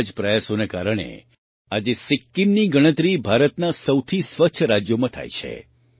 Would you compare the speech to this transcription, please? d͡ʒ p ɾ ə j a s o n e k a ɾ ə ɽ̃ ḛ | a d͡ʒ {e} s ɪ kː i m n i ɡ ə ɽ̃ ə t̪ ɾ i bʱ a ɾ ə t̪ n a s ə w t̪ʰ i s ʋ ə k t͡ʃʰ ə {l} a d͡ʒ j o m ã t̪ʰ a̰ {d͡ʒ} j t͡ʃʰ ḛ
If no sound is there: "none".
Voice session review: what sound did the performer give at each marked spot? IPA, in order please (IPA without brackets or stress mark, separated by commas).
e, ɾ, none